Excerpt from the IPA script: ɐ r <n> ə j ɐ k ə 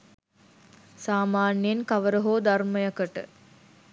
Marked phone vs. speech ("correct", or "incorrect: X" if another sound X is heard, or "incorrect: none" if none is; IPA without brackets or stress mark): incorrect: m